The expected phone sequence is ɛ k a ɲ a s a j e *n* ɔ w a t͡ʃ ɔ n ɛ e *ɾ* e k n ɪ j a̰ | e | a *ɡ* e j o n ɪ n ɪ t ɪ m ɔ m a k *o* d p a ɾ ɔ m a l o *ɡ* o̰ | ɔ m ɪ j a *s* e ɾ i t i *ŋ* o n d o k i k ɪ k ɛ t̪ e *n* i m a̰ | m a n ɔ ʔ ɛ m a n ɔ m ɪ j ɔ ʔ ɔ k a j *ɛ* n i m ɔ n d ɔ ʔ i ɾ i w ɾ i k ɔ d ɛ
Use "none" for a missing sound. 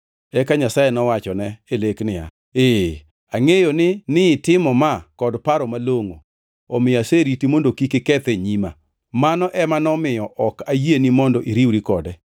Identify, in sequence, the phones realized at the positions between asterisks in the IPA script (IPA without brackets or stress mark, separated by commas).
n, l, ŋ, ɔ, ŋ, s, m, ɲ, e